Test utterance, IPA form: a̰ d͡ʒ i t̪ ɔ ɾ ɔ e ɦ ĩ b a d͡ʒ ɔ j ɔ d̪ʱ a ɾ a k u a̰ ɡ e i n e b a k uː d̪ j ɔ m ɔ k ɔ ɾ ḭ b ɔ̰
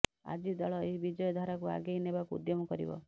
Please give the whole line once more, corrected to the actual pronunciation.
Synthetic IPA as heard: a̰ d͡ʒ i d̪ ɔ ɭ ɔ e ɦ i b i d͡ʒ ɔ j ɔ d̪ʱ a ɾ a k u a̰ ɡ e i n e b a k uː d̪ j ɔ m ɔ k ɔ ɾ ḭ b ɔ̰